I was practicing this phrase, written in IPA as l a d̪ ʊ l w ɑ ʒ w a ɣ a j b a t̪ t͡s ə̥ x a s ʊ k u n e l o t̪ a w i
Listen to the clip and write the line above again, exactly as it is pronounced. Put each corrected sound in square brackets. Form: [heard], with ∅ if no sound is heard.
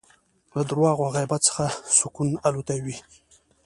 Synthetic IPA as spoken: l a d̪ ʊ [ɾ] w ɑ [ɣ] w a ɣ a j b a t̪ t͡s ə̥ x a s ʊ k u n [a] l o t̪ a w i